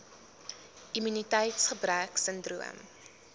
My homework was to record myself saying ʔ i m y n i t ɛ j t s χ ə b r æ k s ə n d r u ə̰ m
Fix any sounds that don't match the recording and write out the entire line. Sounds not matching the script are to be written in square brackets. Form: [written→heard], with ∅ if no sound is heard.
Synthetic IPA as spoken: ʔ i m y n i t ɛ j t s χ ə b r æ k s ə n d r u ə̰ m

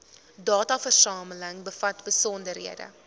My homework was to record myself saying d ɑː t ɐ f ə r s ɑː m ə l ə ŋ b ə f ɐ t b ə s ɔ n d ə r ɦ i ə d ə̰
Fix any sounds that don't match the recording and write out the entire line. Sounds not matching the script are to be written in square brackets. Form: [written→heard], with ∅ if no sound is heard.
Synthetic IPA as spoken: d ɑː t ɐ f ə r s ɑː m ə l ə ŋ b ə f ɐ t b ə s ɔ n d ə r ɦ i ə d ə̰

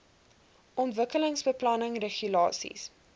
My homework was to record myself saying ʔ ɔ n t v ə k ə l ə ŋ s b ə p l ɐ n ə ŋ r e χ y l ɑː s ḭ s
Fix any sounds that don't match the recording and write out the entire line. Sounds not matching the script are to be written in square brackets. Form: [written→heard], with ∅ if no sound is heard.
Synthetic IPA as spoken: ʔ ɔ n t v ə k ə l ə ŋ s b ə p l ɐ n ə ŋ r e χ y l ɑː s ḭ s

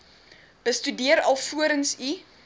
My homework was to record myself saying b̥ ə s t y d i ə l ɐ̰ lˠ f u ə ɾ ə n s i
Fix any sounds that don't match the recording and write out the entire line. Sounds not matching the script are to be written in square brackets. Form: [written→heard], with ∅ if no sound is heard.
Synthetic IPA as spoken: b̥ ə s t y d i ə [l→ɾ] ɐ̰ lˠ f u ə ɾ ə n s i

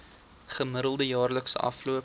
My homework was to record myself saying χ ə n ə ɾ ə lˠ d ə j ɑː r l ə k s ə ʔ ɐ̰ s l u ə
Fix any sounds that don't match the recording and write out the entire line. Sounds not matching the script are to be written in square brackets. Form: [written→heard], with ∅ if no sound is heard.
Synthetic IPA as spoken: χ ə [n→m] ə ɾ ə lˠ d ə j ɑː r l ə k s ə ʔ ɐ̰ [s→f] l u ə

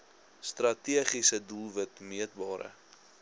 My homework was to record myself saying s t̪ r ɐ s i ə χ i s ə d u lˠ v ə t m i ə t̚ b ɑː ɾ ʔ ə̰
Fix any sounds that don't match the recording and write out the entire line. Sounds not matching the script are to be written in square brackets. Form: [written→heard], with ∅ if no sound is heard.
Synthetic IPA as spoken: s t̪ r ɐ [s→t] i ə χ i s ə d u lˠ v ə t m i ə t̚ b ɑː ɾ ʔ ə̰

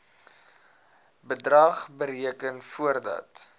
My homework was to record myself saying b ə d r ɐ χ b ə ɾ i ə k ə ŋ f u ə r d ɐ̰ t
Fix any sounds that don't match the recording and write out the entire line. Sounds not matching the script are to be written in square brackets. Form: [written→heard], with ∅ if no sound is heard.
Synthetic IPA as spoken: b ə d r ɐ χ b ə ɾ i ə k ə [ŋ→n] f u ə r d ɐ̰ t

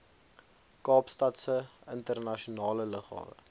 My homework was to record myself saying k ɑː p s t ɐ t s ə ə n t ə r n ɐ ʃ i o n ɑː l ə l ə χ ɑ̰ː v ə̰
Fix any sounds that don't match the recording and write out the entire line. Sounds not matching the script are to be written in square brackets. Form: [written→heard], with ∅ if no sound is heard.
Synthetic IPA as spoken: k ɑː p s t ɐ t s ə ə n t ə r n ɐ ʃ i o n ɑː l ə l ə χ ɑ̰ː v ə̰

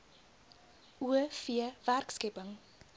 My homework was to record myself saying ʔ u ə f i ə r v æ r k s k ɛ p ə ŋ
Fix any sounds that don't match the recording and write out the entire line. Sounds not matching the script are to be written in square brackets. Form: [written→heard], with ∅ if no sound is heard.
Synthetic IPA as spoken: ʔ u ə f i ə [r→∅] v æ r k s k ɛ p ə ŋ

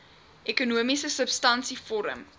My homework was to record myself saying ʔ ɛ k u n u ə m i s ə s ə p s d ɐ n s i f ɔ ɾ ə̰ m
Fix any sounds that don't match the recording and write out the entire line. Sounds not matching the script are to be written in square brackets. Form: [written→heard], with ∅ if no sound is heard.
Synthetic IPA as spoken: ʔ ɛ k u n u ə m i s ə s ə p s [d→t] ɐ n s i f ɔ ɾ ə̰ m

